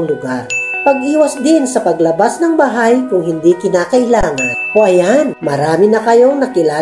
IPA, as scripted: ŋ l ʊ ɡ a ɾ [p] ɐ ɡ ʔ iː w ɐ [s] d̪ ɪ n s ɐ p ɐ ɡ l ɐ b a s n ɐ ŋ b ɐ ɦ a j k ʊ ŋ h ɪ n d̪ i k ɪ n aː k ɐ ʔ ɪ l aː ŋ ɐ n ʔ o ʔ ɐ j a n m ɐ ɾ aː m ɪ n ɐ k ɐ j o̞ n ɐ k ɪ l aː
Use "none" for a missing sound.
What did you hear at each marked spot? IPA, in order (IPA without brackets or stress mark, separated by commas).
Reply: p, s